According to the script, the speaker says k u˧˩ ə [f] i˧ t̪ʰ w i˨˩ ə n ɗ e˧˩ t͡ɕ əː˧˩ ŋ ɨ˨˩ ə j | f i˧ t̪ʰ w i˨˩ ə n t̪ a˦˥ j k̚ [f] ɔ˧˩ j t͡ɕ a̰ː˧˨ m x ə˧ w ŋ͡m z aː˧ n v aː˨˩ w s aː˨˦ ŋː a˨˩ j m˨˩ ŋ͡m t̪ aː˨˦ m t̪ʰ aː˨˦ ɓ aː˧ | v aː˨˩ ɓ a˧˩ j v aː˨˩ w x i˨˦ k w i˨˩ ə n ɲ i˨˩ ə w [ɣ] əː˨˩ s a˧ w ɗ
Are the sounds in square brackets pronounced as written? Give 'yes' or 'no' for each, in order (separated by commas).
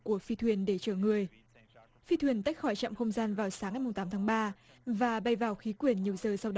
yes, no, no